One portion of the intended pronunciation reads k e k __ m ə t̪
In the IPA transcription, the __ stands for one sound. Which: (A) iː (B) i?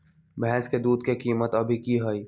A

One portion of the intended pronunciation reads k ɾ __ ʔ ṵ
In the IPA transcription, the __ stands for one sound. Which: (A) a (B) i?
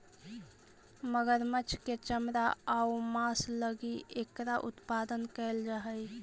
A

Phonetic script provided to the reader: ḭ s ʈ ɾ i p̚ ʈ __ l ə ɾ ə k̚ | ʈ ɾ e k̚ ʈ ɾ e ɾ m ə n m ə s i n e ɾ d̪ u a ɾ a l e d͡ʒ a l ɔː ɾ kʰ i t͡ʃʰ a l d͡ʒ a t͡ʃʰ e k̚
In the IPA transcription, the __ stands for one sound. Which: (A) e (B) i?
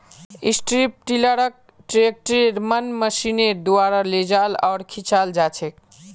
B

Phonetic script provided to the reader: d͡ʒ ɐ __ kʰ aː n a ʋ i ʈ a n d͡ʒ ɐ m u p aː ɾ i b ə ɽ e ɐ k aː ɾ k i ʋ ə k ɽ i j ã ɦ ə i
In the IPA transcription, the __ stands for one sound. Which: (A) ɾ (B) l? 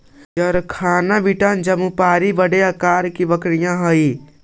A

